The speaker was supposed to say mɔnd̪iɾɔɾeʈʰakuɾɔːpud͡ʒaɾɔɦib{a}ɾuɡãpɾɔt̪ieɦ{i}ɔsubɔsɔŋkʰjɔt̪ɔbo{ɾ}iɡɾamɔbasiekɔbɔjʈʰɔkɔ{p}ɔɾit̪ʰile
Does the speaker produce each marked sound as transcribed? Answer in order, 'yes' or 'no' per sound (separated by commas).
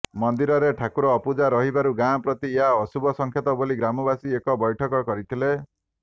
yes, no, no, no